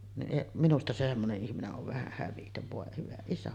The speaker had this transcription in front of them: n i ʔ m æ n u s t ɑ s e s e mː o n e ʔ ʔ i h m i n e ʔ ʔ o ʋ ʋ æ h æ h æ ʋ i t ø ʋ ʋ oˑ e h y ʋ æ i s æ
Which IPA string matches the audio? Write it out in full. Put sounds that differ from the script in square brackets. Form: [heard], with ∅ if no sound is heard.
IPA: n i ʔ m [i] n u s t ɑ s e s e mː o n e ʔ ʔ i h m i n e ʔ ʔ o ʋ ʋ æ h æ h æ ʋ i t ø ʋ ʋ oˑ e h y ʋ æ i s æ